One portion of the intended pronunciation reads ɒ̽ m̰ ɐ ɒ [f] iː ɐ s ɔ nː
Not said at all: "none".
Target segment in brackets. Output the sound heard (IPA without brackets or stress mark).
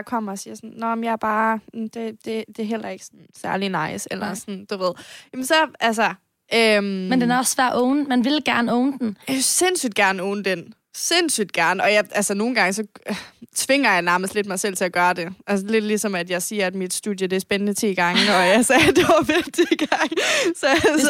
s